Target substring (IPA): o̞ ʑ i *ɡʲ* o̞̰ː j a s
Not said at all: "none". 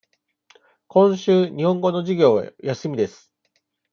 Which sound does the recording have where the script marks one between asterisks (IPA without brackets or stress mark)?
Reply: ɡʲ